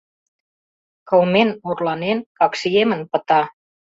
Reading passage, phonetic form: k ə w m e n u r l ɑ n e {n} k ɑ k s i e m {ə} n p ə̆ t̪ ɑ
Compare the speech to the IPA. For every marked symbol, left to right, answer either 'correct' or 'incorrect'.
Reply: correct, correct

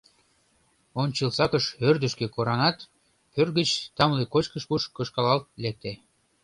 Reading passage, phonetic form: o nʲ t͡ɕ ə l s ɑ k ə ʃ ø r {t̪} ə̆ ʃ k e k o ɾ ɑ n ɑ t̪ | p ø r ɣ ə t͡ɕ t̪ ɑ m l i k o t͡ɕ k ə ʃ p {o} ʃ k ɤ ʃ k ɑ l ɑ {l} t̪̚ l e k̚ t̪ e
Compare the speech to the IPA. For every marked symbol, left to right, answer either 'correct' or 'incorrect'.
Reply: incorrect: d̪, incorrect: u, correct

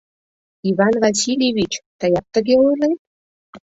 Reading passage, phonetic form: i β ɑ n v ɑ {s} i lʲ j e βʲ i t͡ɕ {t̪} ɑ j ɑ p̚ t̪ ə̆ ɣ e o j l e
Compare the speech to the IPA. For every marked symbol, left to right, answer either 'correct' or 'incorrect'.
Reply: correct, correct

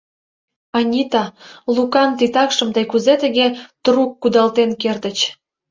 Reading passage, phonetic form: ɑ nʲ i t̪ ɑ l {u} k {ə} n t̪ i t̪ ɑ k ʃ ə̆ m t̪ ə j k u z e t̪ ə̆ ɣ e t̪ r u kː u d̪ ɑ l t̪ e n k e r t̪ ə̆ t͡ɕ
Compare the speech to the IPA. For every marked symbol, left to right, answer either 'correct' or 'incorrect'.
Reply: correct, incorrect: ɑ

